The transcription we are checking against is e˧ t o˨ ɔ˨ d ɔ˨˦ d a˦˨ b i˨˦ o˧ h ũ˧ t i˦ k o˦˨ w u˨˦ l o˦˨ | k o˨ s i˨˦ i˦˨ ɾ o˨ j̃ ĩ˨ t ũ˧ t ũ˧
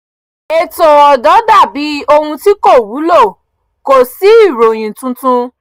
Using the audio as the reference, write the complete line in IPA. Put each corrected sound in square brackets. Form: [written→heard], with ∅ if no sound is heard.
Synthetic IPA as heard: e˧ t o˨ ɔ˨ d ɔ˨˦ d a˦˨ b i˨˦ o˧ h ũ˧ t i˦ k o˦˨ w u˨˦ l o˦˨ | k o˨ s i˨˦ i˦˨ ɾ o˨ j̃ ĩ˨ t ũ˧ t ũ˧